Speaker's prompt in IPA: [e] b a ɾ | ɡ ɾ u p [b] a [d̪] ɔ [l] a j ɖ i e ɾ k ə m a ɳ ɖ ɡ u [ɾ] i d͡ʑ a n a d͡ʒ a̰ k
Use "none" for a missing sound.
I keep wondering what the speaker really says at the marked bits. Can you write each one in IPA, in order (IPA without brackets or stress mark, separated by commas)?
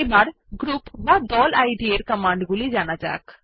e, b, d̪, l, l